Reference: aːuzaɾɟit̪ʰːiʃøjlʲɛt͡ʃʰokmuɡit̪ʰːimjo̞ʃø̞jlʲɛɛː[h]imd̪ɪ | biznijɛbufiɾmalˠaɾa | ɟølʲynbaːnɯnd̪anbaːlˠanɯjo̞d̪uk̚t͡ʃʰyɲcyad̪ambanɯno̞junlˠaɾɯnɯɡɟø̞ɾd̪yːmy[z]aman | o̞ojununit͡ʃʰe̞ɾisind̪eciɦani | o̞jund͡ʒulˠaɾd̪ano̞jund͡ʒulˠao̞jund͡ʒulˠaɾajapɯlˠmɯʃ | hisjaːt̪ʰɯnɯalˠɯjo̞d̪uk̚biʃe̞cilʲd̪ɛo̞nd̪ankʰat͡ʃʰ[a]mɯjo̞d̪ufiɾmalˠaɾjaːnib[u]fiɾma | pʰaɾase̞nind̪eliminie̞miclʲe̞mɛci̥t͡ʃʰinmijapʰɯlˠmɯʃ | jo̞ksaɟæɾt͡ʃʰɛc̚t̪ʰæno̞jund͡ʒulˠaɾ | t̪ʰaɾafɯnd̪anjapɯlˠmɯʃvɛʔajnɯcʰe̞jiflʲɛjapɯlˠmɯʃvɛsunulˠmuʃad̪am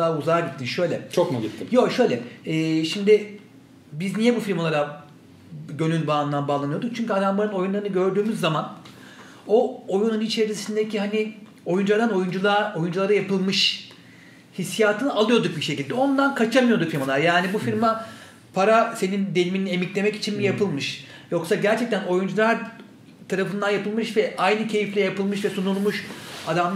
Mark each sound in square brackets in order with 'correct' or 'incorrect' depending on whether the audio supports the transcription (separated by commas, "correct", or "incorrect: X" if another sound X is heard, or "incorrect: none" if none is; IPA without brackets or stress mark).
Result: incorrect: ʃ, incorrect: zː, correct, correct